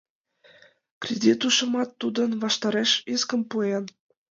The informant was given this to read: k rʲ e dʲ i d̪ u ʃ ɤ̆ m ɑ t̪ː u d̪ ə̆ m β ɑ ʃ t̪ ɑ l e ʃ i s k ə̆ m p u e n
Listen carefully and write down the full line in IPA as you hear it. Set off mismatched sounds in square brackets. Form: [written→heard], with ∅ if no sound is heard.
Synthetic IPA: k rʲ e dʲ i [d̪→t̪] u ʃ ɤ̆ m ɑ t̪ː u d̪ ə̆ [m→n] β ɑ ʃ t̪ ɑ [l→ɾ] e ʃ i s k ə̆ m p u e n